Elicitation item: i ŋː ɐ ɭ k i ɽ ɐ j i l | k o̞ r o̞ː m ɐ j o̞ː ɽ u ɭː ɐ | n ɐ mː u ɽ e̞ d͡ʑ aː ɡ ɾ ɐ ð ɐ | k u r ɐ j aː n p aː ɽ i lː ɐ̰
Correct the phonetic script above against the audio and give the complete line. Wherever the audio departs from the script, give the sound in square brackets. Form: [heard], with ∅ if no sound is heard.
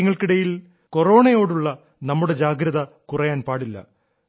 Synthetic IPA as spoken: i ŋː ɐ ɭ k i ɽ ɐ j i l | k o̞ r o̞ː [ɳ] ɐ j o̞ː ɽ u ɭː ɐ | n ɐ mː u ɽ e̞ d͡ʑ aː ɡ ɾ ɐ ð ɐ | k u r ɐ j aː n p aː ɽ i lː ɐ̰